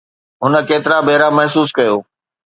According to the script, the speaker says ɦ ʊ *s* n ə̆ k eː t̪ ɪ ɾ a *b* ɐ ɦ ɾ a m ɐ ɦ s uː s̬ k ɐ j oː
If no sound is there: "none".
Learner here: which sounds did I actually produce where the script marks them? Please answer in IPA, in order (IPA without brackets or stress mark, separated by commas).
none, b